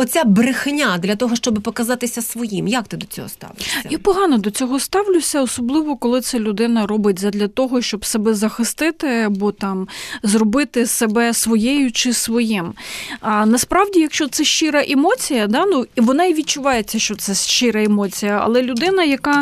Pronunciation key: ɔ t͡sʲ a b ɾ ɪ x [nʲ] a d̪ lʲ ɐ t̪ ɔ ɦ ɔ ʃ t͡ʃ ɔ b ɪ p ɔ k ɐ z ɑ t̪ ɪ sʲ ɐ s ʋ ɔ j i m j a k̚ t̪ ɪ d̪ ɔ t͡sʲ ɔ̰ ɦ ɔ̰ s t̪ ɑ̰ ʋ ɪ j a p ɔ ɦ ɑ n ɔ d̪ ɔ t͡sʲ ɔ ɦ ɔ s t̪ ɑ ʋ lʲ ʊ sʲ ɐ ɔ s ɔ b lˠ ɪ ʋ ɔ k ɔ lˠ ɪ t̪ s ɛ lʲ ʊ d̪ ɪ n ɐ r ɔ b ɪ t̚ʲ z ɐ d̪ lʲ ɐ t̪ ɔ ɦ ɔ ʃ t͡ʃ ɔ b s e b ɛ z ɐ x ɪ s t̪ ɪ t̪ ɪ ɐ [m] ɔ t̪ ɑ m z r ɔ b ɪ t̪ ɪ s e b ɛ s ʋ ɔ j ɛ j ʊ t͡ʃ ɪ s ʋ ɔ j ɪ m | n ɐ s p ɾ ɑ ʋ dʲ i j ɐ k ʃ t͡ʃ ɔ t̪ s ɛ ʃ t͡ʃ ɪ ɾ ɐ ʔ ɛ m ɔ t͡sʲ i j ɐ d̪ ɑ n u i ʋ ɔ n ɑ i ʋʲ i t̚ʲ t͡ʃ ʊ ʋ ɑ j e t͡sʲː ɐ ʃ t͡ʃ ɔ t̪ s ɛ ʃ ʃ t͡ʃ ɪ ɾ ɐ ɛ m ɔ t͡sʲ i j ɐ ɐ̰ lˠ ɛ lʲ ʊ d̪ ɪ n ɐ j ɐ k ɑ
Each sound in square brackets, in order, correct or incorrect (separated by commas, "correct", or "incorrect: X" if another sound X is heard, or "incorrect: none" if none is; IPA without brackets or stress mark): correct, incorrect: b